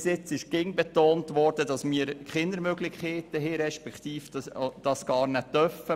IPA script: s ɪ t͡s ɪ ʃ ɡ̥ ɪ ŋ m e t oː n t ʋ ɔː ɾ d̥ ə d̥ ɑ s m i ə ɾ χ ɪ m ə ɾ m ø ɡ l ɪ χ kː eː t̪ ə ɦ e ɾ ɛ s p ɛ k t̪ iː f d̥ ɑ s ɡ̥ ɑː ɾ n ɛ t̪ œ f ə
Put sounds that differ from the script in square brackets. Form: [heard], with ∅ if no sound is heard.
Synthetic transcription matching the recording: s ɪ t͡s ɪ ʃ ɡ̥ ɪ ŋ [b] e t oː n t ʋ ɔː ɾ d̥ ə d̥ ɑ s m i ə ɾ χ ɪ [n] ə ɾ m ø ɡ l ɪ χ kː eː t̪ ə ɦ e ɾ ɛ [ʃ] p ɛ k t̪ iː f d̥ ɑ s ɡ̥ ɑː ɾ n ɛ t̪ œ f ə